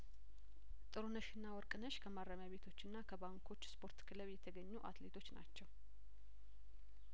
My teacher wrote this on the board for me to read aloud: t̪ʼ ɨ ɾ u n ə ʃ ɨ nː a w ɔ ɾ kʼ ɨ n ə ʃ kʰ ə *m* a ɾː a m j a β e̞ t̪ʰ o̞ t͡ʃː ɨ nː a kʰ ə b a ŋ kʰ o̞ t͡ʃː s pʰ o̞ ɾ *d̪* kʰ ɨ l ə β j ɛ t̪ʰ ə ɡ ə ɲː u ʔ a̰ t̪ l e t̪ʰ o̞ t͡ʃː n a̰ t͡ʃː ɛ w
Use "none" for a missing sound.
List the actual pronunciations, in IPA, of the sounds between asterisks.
m, t̪

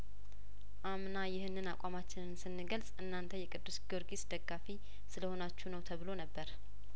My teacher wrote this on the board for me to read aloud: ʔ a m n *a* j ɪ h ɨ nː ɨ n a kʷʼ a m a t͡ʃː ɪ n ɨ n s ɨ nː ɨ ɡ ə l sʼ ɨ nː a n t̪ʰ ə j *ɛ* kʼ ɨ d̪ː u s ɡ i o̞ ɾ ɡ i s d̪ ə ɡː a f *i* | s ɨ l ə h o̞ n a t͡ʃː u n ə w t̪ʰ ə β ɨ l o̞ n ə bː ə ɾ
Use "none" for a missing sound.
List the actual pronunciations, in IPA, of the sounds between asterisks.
a, ɛ, i

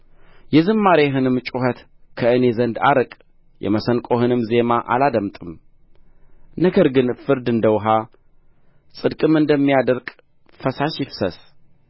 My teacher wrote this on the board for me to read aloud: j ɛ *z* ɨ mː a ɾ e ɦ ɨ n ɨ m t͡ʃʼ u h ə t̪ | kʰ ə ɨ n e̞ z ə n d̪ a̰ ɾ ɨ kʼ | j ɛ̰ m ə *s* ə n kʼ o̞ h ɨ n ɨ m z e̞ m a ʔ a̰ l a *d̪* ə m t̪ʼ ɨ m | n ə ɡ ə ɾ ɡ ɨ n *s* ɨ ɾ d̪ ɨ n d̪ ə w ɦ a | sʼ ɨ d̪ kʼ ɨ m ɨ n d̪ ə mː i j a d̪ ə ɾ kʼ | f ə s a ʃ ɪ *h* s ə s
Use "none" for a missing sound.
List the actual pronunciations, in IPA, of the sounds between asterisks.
z, s, d̪, f, f

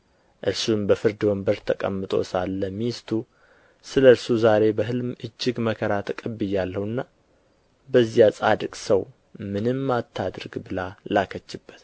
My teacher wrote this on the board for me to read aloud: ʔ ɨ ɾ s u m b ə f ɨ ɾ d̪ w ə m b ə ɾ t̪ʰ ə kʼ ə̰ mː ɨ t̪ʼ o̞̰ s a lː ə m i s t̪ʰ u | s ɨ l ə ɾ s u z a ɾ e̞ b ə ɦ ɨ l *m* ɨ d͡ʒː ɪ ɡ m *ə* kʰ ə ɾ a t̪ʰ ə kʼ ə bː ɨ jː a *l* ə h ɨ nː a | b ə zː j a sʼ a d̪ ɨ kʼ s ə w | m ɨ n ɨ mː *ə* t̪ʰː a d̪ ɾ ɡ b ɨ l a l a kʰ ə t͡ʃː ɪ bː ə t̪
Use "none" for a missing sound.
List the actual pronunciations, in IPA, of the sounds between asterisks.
m, ə, lː, a

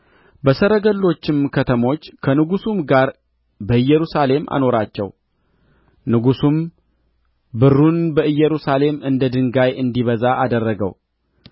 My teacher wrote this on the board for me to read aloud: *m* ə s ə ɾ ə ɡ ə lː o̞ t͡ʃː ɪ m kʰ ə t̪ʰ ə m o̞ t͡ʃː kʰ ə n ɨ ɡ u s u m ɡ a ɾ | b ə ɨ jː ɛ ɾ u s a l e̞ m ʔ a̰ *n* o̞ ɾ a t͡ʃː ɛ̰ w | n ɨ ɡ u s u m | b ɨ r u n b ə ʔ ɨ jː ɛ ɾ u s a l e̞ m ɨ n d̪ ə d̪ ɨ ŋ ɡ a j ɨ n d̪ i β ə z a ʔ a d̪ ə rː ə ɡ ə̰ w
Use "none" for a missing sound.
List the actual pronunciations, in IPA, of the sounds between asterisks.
b, n

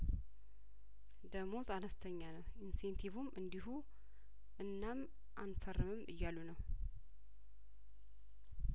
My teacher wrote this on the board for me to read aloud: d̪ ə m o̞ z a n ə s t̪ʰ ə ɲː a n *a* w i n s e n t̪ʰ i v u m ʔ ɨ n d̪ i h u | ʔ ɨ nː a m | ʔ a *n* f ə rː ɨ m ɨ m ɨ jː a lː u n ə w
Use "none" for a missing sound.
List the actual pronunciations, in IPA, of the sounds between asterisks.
ə, n

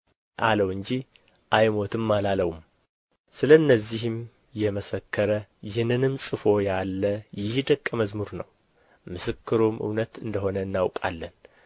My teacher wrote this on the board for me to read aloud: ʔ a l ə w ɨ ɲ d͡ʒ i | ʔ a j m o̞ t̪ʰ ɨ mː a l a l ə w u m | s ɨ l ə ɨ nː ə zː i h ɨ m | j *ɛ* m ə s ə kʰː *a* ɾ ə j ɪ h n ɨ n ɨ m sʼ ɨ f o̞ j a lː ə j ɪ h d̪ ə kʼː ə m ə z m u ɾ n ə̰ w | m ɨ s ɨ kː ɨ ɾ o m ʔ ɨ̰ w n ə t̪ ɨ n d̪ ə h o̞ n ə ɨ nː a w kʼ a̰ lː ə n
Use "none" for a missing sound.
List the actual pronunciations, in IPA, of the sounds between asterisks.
ɛ, ə

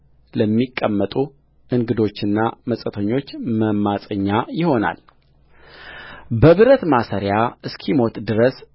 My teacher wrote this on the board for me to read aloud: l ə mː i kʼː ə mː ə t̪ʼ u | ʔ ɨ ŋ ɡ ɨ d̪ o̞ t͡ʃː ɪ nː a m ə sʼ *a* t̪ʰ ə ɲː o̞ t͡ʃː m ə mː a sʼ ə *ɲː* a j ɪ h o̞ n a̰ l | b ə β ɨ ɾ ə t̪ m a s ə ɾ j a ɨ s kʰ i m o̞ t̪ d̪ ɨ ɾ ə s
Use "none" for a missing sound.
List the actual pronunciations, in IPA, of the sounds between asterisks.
ə, ɲː

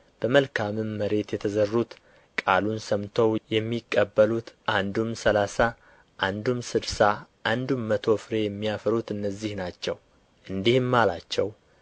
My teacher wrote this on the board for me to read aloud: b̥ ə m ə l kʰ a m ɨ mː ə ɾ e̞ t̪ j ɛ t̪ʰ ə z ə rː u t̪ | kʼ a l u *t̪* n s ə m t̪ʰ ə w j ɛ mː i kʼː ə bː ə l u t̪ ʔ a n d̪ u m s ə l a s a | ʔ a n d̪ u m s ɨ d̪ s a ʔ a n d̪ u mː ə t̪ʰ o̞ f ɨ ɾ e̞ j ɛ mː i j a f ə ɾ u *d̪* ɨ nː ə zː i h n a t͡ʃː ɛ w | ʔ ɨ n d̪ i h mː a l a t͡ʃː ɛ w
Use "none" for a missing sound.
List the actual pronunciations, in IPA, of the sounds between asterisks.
none, t̪

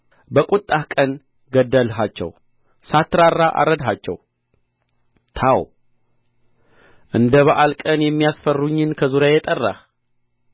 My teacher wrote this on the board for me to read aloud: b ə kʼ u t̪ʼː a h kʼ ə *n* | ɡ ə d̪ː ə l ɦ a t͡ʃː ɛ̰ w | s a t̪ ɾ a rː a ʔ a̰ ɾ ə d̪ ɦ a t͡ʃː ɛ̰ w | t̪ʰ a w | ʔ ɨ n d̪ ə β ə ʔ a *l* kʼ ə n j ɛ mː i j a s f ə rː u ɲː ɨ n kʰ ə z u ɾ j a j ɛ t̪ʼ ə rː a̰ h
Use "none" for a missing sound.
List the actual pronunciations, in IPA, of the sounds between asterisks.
n, l

